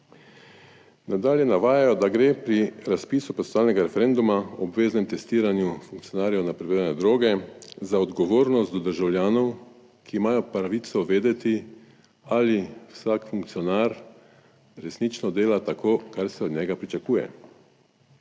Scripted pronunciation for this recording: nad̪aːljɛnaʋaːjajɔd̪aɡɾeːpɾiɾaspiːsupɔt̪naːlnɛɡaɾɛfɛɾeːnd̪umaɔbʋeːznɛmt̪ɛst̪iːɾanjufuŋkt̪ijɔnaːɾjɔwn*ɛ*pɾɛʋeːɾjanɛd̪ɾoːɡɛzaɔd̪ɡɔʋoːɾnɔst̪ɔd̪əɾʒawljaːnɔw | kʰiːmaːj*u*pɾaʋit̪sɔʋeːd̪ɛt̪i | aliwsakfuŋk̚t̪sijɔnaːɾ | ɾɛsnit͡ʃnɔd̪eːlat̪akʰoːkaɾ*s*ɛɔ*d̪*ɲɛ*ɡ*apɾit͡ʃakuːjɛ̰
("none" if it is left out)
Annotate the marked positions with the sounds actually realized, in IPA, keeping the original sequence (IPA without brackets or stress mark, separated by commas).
a, ɔ, s, d̪, ɡ